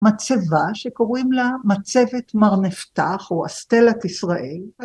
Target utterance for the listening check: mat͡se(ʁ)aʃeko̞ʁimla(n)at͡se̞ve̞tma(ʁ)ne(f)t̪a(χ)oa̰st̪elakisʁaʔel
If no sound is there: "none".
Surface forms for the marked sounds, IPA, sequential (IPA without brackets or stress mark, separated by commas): v, m, ʁ, f, χ